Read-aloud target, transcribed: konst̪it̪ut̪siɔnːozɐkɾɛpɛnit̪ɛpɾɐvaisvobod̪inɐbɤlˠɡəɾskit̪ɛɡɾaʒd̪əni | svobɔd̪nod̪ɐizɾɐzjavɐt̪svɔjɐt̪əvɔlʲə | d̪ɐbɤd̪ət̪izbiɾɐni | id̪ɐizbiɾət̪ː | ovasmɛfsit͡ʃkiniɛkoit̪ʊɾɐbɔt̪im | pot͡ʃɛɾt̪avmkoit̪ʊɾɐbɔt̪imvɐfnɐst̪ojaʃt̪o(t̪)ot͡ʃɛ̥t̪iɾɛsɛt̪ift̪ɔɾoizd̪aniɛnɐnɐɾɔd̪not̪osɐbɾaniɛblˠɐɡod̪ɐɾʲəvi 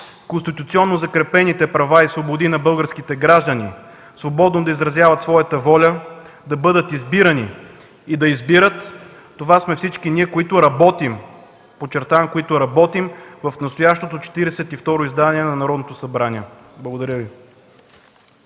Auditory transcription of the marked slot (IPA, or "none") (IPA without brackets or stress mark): t̪